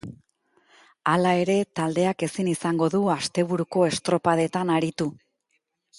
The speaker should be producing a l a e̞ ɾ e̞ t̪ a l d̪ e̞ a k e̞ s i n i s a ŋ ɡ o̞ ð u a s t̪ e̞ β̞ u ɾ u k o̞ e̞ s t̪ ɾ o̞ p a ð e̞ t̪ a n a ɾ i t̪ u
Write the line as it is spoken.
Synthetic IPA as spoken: a l a e̞ ɾ e̞ t̪ a l d̪ e̞ a k e̞ s i n i s a ŋ ɡ o̞ ð u a s t̪ e̞ β̞ u ɾ u k o̞ e̞ s t̪ ɾ o̞ p a ð e̞ t̪ a n a ɾ i t̪ u